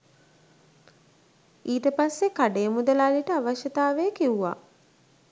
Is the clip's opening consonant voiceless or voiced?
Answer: voiceless